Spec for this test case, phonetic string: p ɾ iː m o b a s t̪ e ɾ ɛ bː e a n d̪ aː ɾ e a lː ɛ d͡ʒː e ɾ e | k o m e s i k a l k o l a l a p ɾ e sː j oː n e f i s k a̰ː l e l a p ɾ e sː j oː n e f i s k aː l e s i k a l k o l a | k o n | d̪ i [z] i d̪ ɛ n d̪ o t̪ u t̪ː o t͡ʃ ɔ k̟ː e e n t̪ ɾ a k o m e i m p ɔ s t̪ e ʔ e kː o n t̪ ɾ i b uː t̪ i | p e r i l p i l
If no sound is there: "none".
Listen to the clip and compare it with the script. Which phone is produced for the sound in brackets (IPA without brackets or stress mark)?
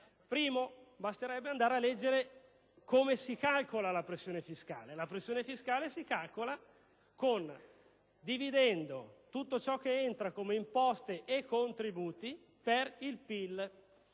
v